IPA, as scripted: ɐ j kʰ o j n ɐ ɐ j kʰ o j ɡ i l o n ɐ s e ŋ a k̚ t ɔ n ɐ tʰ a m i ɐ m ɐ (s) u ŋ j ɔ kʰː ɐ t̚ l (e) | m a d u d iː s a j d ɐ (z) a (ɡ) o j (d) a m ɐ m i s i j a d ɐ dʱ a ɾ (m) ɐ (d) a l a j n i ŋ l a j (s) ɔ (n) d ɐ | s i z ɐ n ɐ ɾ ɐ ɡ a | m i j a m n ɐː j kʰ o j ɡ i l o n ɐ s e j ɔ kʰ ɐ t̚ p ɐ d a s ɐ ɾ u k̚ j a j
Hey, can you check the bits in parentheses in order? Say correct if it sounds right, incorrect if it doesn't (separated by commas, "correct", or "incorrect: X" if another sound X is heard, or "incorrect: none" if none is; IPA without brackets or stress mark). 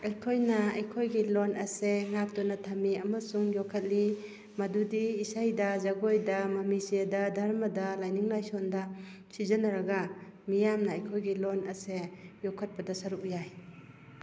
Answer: correct, incorrect: i, correct, correct, correct, correct, correct, correct, correct